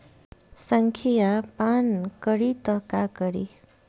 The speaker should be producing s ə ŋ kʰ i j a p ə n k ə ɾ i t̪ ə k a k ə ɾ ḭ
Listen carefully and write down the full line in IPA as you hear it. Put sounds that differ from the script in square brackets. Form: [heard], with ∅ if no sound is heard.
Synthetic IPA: s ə ŋ kʰ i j a p [a] n k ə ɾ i t̪ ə k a k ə ɾ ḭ